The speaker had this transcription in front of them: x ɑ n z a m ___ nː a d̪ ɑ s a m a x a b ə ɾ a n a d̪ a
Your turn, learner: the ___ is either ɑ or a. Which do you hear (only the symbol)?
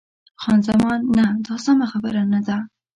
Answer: ɑ